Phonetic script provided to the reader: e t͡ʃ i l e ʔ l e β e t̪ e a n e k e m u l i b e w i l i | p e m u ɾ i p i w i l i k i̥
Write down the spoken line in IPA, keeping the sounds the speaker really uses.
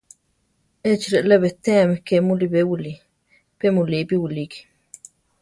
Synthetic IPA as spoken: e t͡ʃ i ɾ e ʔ l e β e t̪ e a m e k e m u l i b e w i l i | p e m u l i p i w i l i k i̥